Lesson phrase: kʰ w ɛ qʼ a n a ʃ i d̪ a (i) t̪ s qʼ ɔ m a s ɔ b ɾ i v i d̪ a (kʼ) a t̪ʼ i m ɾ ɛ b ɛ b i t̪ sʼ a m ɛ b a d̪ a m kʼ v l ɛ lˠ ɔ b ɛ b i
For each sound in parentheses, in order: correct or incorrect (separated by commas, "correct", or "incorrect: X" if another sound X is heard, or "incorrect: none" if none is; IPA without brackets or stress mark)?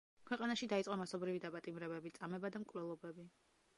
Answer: correct, incorrect: pʼ